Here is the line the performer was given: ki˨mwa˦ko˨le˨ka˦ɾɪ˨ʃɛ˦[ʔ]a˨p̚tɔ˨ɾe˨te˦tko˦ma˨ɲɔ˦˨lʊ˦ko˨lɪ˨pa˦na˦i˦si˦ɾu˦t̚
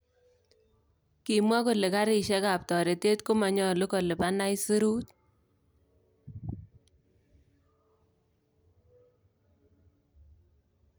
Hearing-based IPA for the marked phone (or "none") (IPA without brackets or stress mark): k